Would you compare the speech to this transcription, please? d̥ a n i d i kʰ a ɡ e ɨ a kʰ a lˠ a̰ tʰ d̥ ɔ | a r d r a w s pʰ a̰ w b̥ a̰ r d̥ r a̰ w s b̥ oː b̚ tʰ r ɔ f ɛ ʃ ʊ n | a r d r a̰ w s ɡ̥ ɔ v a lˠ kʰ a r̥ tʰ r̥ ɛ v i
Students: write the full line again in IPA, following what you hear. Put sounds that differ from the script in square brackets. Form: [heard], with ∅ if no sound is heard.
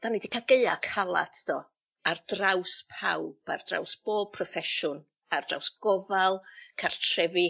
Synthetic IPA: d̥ a n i d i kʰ a ɡ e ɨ a kʰ a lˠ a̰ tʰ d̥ ɔ | a r d r a w s pʰ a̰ w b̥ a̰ r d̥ r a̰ w s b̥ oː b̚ [pʰ] r ɔ f ɛ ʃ ʊ n | a r d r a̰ w s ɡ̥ ɔ v a lˠ kʰ a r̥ tʰ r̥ ɛ v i